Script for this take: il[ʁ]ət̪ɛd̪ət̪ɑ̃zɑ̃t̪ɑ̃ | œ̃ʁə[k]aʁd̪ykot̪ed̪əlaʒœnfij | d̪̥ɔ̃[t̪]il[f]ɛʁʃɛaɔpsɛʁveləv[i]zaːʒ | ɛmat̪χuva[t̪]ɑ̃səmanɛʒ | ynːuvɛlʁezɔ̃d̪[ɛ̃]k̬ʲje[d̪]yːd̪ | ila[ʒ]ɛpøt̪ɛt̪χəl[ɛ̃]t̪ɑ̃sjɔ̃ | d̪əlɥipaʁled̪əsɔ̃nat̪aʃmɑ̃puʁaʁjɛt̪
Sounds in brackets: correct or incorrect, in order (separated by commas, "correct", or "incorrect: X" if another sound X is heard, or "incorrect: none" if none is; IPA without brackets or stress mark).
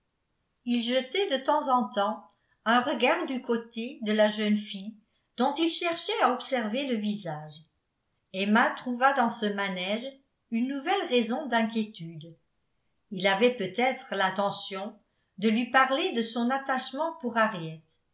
incorrect: ʒ, incorrect: ɡ, correct, incorrect: ʃ, correct, incorrect: d̪, correct, incorrect: t̪, incorrect: v, correct